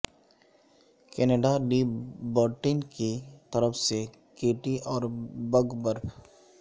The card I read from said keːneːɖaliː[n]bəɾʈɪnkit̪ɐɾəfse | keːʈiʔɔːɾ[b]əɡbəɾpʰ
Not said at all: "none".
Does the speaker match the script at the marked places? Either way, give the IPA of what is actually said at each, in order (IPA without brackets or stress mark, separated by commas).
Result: none, b